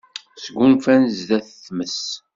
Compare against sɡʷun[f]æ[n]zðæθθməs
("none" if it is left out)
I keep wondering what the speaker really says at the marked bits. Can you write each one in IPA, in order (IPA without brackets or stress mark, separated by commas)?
f, n